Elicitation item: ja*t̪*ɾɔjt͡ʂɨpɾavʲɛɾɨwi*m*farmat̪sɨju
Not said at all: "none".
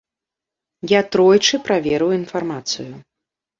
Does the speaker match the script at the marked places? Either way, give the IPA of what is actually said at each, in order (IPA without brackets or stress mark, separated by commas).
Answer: t̪, n